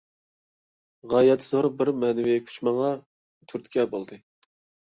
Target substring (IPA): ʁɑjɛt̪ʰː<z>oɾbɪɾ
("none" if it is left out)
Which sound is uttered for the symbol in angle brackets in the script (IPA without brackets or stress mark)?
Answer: z